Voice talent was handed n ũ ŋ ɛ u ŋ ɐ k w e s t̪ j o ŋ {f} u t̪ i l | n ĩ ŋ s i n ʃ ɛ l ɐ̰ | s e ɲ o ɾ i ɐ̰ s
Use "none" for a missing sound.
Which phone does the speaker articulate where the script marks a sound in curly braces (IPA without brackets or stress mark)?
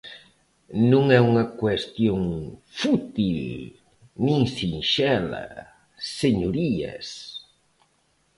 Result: f